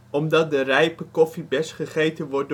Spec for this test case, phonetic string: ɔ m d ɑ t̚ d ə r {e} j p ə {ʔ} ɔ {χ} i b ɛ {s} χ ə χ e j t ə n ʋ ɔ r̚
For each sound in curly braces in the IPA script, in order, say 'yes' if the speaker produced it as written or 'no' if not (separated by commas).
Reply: no, no, no, yes